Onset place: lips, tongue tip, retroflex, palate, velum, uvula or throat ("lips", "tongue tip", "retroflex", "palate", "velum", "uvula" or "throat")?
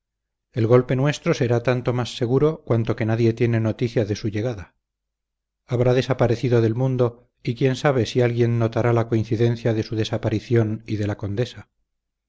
tongue tip